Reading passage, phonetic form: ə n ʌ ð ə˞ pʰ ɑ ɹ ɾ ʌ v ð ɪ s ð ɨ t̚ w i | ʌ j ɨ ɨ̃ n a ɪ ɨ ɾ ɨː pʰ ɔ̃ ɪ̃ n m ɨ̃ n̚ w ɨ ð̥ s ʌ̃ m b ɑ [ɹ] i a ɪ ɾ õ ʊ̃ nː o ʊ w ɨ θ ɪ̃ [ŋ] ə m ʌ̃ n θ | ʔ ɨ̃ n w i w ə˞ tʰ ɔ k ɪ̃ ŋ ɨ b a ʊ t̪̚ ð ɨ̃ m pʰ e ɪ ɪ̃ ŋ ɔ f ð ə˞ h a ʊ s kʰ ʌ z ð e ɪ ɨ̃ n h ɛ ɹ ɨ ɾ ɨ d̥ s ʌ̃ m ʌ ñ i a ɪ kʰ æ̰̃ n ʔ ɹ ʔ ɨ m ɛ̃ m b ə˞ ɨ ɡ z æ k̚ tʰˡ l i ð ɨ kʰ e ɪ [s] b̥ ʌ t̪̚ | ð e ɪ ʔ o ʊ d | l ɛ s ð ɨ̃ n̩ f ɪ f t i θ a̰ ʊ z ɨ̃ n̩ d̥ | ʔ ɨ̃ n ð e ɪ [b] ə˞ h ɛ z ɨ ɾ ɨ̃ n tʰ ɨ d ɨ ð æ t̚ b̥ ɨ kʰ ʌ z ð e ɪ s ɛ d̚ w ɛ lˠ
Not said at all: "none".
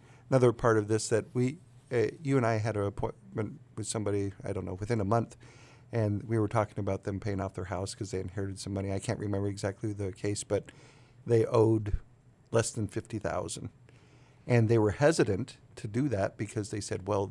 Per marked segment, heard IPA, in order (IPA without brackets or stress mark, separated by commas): ɾ, n, s, w